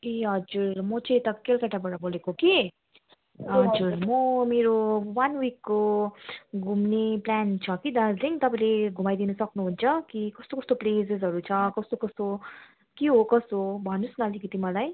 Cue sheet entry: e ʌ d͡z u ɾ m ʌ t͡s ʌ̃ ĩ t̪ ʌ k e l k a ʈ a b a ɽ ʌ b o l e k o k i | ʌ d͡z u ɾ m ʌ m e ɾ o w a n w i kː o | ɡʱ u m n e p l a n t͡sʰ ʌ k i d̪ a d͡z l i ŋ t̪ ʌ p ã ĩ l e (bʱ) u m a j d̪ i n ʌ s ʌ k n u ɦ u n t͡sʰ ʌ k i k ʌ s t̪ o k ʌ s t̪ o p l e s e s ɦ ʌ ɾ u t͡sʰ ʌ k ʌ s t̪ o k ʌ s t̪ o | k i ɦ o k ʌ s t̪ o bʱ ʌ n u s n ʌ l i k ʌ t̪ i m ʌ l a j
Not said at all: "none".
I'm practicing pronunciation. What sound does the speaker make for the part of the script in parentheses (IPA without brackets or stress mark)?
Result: ɡʱ